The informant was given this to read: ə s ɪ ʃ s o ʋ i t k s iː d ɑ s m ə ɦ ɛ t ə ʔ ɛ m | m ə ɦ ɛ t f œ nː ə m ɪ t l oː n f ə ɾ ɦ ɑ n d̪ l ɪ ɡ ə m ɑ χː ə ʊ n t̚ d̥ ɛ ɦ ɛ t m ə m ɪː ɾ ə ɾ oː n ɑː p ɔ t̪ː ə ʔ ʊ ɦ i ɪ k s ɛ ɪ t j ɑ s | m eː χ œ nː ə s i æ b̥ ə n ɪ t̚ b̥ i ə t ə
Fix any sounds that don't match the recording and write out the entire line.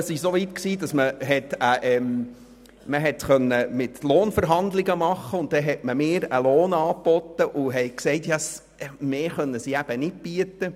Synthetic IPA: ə s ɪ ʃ s o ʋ i t k s iː d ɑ s m ə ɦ ɛ t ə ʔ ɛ m | m ə ɦ ɛ t χ œ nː ə m ɪ t l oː n f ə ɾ ɦ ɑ n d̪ l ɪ ɡ ə m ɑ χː ə ʊ n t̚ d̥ ɛ ɦ ɛ t m ə m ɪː ɾ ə l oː n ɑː p ɔ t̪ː ə ʔ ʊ ɦ ɛ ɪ k s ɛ ɪ t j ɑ s | m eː χ œ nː ə s i æ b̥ ə n ɪ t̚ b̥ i ə t ə